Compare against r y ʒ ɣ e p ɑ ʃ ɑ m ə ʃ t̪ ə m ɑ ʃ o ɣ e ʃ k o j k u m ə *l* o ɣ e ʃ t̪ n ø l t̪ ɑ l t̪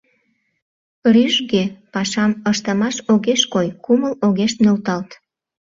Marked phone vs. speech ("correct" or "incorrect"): correct